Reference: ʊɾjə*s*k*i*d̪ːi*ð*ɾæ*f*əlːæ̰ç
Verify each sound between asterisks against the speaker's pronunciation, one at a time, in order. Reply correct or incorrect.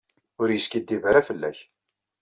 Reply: correct, correct, incorrect: v, correct

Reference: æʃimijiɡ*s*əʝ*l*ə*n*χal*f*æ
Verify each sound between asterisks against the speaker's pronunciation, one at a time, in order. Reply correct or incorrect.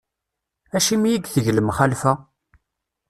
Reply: incorrect: θ, correct, incorrect: m, correct

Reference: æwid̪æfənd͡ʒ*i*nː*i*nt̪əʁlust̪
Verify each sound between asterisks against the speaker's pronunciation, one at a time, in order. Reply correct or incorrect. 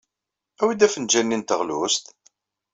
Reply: incorrect: æ, correct

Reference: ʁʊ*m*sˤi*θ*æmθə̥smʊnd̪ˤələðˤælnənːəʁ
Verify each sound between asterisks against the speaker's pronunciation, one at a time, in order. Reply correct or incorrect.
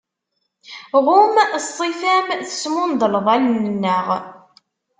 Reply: correct, incorrect: f

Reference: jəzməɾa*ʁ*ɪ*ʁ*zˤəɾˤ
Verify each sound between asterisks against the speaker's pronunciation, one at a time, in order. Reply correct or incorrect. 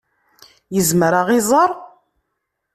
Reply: correct, incorrect: none

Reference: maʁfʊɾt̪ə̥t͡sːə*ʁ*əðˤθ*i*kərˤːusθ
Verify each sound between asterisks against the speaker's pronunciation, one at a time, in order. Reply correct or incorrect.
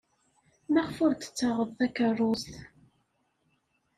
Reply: correct, incorrect: æ

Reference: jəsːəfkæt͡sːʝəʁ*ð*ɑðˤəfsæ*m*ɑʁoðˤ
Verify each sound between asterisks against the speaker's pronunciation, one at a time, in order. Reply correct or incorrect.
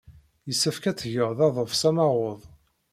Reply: correct, correct

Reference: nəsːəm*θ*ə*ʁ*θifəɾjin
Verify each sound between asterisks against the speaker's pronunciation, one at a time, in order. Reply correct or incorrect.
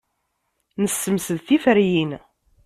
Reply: incorrect: s, incorrect: ð

